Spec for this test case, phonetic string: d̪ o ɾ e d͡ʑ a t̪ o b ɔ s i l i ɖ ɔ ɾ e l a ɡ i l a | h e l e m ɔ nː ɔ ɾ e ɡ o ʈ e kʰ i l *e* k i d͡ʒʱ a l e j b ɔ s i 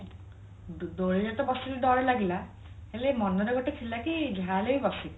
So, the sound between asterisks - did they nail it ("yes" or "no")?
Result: no